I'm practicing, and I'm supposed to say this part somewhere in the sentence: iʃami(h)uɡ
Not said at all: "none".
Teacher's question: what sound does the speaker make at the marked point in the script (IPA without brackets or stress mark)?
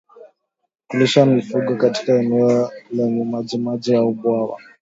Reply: f